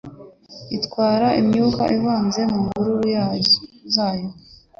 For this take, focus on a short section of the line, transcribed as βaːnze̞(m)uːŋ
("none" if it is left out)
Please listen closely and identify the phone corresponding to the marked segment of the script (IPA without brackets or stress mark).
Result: m